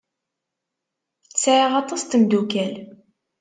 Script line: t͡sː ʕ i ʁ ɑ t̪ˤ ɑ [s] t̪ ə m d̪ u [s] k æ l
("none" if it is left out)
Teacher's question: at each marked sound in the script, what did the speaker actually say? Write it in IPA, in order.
s, none

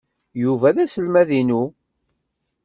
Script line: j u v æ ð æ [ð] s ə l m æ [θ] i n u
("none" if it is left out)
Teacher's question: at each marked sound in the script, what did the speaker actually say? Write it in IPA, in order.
none, ð

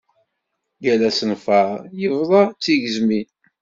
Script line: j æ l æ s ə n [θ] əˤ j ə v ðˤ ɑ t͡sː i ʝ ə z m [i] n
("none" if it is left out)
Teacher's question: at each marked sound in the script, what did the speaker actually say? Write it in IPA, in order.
f, i

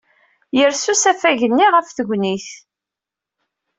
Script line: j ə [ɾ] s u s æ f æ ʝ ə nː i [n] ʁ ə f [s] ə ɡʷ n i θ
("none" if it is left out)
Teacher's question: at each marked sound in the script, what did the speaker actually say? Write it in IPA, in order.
ɾ, none, θ

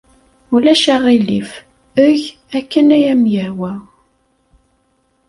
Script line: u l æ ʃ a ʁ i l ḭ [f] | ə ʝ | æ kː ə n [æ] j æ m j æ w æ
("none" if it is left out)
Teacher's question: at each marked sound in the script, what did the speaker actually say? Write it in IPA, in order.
f, æ

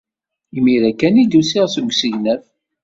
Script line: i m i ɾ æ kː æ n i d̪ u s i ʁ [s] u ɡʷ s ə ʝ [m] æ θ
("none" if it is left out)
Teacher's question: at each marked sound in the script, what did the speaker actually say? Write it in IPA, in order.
s, n

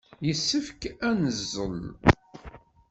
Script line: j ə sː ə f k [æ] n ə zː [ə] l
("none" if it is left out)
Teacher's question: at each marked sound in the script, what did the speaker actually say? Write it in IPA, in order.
æ, ə

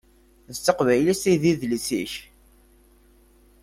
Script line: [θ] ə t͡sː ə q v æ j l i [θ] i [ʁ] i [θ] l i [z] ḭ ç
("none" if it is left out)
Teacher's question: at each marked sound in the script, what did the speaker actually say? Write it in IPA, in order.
ð, s, ð, ð, s

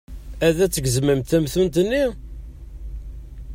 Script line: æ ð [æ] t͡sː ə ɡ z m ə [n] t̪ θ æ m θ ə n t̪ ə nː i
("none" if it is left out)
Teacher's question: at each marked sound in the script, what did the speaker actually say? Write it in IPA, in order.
æ, m

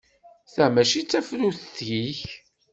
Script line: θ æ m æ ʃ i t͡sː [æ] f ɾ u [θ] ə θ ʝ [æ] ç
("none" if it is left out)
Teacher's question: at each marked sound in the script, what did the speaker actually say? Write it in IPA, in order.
æ, θ, i

